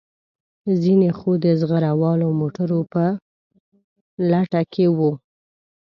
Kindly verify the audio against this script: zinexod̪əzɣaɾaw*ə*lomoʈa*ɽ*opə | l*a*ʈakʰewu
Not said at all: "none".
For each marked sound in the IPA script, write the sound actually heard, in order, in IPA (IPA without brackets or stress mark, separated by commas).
ɑ, ɾ, a